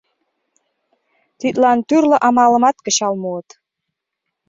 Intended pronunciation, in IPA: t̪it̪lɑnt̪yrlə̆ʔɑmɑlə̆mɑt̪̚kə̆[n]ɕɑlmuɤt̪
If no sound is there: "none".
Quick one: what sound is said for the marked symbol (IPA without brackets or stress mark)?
none